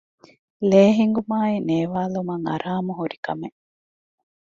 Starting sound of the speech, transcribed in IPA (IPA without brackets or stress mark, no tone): l